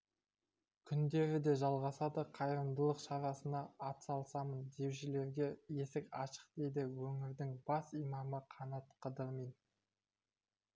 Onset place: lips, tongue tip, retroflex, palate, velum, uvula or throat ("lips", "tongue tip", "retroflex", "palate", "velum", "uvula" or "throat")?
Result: velum